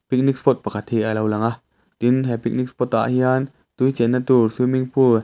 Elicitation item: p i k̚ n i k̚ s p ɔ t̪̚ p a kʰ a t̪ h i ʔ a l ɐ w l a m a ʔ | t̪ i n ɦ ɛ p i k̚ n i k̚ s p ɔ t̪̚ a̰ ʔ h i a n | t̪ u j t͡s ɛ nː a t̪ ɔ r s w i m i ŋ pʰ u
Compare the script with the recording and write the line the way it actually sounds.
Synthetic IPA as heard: p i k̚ n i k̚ s p ɔ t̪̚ p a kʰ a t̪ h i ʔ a l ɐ w l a ŋ a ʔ | t̪ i n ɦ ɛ p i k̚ n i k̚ s p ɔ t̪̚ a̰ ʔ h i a n | t̪ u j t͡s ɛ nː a t̪ u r s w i m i ŋ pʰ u